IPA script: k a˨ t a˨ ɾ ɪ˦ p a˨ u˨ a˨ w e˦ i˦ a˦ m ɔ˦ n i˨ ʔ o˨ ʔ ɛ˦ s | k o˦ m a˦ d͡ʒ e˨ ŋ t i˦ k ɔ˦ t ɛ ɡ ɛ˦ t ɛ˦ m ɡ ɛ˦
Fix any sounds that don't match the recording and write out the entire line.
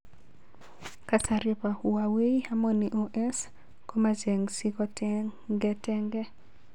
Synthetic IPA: k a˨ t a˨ ɾ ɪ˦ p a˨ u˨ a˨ w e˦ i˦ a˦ m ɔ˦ n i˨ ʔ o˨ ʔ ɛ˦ s | k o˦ m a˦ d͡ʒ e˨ ŋ s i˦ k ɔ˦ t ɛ ɡ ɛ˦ t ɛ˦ ŋ ɡ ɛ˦